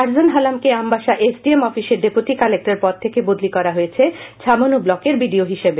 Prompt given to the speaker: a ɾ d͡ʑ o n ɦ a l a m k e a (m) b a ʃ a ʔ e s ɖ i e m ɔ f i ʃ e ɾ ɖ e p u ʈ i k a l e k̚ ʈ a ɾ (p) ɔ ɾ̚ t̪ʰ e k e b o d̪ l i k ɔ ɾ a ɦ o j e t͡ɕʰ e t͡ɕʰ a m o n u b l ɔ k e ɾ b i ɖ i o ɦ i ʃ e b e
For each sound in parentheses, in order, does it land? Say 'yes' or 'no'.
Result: yes, yes

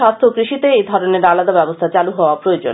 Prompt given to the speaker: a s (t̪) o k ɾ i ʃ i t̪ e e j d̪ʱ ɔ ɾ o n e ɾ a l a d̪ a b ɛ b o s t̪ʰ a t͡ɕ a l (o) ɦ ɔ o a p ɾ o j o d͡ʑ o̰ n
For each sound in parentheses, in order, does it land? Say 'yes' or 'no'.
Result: no, no

